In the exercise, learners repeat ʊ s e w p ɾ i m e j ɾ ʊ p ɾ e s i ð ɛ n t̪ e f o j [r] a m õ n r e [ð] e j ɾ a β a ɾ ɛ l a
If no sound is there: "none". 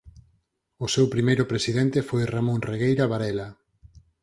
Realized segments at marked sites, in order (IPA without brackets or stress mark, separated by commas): r, ɣ